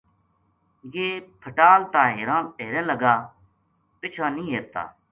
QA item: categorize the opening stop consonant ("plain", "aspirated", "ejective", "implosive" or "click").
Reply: aspirated